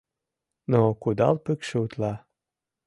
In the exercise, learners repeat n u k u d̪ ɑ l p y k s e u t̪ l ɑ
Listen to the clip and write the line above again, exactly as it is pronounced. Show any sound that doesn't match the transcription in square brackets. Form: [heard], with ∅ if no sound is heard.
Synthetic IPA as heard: n [o] k u d̪ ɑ l p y k [ʃ] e u t̪ l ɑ